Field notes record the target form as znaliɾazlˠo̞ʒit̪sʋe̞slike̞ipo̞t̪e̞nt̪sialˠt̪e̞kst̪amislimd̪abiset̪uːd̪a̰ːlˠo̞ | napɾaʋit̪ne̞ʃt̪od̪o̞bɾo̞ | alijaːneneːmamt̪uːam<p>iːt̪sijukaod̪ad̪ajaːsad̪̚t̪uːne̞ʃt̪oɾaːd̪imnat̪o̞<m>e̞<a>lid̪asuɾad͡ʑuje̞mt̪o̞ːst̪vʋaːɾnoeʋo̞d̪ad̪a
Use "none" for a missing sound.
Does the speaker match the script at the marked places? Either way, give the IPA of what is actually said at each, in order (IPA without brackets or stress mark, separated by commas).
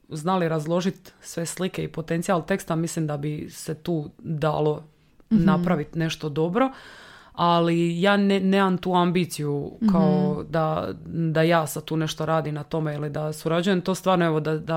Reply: b, m, i